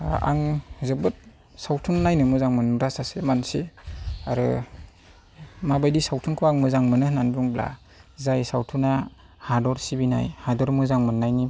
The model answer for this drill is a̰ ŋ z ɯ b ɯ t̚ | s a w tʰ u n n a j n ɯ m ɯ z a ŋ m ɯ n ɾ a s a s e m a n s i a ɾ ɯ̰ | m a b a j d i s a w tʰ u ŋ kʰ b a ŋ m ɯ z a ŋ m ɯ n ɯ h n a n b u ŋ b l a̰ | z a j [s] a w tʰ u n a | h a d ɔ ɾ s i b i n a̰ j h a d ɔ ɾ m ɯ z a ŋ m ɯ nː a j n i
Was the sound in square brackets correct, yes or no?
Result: yes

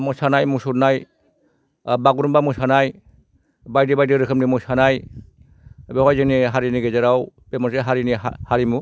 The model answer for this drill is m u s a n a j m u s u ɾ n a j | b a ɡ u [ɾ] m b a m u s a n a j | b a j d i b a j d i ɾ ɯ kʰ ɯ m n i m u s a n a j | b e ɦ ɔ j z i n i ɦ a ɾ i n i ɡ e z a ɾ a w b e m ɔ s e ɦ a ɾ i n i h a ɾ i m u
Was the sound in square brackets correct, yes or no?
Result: yes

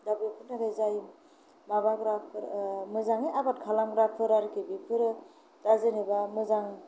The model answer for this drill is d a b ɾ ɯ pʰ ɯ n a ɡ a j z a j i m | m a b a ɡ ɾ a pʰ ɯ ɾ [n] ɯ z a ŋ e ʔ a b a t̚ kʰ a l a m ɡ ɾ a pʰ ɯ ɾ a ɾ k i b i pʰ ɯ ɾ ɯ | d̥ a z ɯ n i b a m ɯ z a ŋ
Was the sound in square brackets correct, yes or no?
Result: no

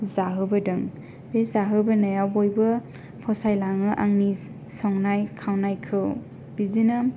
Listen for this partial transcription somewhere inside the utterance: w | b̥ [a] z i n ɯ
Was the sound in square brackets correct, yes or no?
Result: no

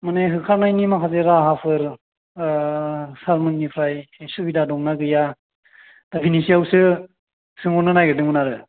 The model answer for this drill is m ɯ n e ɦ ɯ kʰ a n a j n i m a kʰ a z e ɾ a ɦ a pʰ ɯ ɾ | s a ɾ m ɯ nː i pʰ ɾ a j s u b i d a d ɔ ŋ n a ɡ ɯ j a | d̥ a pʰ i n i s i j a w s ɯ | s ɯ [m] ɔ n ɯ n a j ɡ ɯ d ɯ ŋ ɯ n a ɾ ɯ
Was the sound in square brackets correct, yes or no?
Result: no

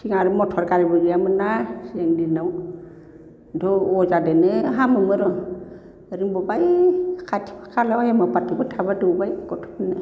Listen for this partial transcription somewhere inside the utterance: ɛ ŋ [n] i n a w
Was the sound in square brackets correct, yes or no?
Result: no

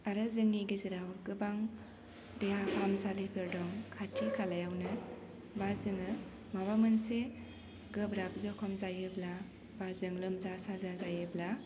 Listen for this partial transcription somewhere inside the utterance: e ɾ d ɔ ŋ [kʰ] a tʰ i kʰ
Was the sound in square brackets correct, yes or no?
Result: yes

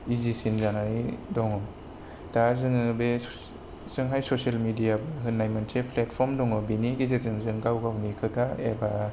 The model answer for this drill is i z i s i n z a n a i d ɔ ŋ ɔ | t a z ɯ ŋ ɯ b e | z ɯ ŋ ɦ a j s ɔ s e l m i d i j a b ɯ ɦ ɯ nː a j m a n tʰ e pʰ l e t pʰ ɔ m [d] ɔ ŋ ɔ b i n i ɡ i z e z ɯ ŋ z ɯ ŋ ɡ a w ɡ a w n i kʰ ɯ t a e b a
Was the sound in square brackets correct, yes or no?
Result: yes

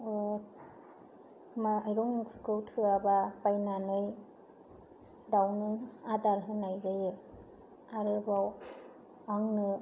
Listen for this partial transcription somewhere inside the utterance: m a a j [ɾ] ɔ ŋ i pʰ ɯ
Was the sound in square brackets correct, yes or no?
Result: yes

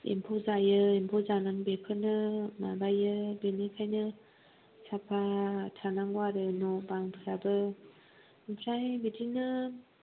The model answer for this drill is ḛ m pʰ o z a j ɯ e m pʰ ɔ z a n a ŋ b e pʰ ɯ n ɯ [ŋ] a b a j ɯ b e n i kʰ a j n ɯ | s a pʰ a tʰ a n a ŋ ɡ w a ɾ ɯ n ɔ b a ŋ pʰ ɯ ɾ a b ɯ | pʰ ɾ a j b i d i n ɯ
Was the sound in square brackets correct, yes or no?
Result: no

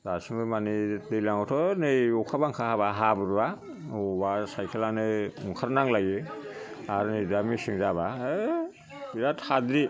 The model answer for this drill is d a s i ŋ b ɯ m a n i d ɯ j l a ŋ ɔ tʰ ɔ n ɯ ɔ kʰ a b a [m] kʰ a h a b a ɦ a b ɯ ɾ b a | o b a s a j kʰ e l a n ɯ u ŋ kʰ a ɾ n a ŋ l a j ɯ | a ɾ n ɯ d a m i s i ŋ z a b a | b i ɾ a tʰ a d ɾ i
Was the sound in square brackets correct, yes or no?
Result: no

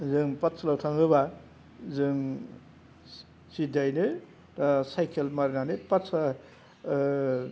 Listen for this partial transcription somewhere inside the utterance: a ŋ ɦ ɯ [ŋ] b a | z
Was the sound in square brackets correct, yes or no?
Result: no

